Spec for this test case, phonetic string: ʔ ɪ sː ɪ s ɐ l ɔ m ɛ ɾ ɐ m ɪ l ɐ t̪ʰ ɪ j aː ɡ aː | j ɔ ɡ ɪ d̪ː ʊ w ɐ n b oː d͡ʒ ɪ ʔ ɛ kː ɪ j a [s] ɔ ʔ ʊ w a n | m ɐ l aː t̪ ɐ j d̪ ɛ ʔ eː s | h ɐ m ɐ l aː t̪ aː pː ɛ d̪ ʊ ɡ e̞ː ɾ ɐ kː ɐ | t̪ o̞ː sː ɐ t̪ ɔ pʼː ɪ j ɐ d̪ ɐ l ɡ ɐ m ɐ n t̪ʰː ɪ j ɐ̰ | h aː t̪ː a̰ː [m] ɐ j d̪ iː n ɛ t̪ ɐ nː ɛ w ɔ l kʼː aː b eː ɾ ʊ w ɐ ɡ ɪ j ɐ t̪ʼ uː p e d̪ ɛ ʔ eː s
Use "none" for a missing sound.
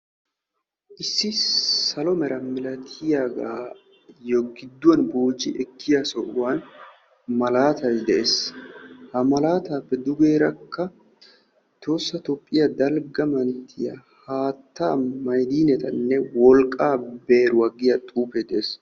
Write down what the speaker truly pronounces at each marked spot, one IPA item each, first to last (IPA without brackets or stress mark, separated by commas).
s, m